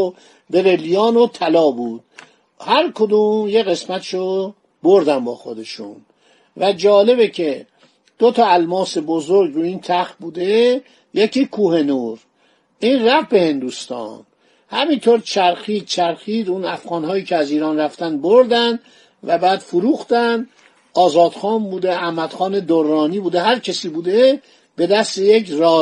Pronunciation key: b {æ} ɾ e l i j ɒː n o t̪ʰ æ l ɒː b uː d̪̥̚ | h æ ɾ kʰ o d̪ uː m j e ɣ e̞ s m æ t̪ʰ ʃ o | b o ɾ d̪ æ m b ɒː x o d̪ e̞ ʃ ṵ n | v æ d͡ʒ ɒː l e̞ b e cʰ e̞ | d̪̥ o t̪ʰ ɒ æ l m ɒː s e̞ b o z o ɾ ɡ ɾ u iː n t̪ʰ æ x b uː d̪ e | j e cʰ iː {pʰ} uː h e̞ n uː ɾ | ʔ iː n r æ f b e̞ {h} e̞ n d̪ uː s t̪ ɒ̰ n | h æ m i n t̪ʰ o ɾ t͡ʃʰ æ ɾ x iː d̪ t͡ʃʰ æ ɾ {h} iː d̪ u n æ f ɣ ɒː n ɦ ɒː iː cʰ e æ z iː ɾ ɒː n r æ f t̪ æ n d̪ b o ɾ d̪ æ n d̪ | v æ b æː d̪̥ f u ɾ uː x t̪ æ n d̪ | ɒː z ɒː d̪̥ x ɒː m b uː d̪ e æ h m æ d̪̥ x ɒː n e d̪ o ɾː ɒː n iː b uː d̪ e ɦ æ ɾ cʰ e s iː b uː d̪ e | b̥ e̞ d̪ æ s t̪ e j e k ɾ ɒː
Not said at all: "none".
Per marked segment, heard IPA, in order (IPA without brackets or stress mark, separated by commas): e, kʰ, h, x